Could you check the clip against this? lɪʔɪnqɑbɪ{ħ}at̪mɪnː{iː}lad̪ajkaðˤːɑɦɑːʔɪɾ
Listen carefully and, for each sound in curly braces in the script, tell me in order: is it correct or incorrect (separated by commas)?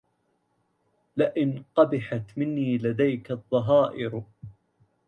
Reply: correct, correct